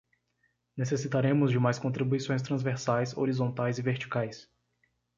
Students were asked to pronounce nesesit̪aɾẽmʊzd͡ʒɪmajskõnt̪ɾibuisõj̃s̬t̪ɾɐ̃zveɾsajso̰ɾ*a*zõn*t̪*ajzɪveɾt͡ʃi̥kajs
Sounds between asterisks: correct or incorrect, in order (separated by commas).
incorrect, correct